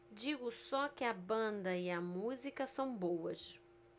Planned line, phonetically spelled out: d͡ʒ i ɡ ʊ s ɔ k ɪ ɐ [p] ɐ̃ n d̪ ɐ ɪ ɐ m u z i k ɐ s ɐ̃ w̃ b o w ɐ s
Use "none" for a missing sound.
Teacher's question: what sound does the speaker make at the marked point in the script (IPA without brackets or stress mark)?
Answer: b